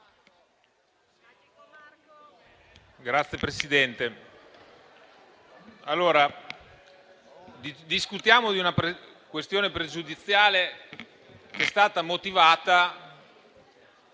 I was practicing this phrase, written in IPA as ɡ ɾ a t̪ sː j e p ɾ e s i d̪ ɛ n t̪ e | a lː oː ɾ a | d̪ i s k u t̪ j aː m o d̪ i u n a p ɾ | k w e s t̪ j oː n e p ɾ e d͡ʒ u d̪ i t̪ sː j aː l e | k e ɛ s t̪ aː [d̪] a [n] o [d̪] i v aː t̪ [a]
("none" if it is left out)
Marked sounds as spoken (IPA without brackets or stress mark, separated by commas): t̪, m, t̪, a